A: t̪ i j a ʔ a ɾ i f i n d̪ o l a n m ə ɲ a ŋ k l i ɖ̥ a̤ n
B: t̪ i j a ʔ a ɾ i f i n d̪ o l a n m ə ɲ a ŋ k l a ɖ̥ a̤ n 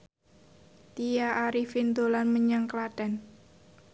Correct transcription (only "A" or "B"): B